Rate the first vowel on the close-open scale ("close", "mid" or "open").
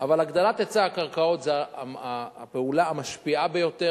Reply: open